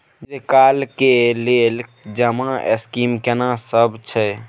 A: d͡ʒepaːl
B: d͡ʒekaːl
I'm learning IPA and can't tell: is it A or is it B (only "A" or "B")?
B